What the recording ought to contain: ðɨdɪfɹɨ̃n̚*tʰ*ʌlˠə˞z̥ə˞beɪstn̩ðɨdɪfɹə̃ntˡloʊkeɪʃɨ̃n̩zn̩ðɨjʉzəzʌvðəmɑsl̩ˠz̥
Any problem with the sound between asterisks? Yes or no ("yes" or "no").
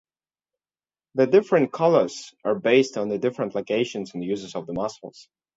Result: yes